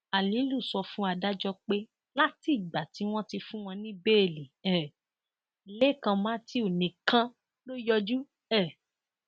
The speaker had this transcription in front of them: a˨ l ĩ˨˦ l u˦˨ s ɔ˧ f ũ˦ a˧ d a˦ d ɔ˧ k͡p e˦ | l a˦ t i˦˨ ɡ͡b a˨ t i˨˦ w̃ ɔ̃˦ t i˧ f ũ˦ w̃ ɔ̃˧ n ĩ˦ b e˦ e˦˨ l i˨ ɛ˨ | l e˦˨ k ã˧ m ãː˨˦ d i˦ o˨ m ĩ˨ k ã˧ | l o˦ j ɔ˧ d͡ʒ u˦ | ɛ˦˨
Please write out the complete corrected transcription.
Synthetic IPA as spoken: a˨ l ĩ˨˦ l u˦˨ s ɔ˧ f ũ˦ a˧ d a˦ d͡ʒ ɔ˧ k͡p e˦ | l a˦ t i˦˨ ɡ͡b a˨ t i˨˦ w̃ ɔ̃˦ t i˧ f ũ˦ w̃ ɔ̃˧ n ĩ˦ b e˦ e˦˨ l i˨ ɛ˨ | l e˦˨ k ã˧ m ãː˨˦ t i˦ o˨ n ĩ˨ k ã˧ | l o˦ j ɔ˧ d͡ʒ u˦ | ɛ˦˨